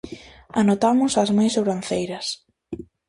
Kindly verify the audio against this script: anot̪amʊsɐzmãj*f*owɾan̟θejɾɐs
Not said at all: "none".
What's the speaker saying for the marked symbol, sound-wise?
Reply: s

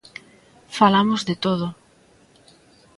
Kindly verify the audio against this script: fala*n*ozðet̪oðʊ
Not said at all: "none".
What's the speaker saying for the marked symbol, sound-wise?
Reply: m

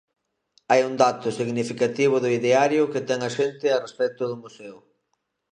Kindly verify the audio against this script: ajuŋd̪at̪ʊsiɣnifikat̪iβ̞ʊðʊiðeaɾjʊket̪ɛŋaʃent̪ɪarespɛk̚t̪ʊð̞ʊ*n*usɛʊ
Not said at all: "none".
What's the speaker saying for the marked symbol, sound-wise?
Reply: m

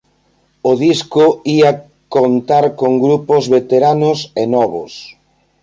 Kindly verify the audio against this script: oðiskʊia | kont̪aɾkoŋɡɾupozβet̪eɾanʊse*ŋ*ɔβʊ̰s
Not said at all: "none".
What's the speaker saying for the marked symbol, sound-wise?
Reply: n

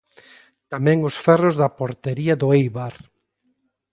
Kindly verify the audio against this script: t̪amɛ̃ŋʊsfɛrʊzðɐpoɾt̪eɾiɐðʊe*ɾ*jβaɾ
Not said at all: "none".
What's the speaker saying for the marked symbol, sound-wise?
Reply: none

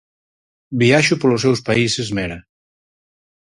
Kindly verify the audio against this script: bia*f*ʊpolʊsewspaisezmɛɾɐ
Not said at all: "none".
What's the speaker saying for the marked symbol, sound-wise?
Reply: ʃ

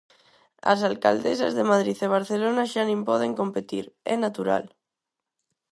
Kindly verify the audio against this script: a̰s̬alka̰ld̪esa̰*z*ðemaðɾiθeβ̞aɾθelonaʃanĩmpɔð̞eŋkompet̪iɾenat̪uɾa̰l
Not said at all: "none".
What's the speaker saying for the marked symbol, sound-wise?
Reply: z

